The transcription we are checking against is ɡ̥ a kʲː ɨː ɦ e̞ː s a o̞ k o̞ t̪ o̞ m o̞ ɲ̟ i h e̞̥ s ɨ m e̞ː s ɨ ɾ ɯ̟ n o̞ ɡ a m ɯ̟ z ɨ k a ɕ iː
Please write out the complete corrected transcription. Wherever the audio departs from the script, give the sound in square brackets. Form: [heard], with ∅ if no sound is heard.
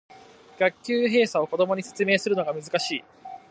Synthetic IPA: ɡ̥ a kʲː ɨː ɦ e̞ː s a o̞ k o̞ [d̪] o̞ m o̞ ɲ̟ i [s] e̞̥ [t͡s] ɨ m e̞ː s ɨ ɾ ɯ̟ n o̞ ɡ a m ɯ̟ z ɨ k a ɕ iː